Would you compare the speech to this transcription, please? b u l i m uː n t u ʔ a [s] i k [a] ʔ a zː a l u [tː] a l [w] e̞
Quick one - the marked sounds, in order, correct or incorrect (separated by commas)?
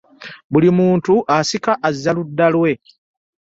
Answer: correct, correct, incorrect, correct